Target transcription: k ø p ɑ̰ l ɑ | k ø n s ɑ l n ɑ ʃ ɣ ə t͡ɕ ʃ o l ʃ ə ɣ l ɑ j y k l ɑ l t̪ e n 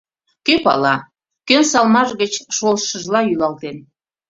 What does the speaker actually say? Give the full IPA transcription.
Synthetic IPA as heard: k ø p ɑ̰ l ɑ | k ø n s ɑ l m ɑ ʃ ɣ ə t͡ɕ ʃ o l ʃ ə ʒ l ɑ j y l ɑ l t̪ e n